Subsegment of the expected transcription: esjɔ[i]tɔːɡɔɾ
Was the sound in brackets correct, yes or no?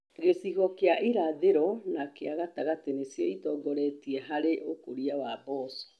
yes